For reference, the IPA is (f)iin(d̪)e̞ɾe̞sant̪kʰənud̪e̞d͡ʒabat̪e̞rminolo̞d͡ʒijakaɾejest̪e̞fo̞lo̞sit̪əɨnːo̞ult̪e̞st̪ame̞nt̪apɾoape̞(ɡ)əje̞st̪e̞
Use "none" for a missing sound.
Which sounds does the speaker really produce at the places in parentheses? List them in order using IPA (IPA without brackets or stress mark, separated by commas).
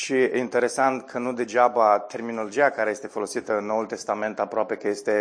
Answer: ʃ, t̪, k